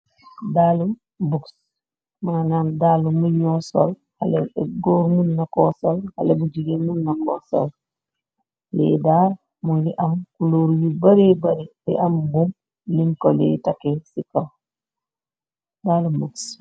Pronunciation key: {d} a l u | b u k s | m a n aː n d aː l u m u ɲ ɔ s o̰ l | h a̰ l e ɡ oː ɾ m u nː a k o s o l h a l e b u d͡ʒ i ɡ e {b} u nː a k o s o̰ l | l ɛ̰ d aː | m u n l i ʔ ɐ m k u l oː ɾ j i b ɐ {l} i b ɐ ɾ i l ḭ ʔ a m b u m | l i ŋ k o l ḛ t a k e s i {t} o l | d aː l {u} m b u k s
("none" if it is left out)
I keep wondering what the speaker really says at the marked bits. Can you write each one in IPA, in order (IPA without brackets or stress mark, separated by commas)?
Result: d, m, ɾ, k, u